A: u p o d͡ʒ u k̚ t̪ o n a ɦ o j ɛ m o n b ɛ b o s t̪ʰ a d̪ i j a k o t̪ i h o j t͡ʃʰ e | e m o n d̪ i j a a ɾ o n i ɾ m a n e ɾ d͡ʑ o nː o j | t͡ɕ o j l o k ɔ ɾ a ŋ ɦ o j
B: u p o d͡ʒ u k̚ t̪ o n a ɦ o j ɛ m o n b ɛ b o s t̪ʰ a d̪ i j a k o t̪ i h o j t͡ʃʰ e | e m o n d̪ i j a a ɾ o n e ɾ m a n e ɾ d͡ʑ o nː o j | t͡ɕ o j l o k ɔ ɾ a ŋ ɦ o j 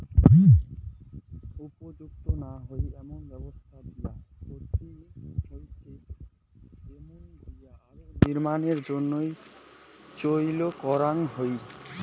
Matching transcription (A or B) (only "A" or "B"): A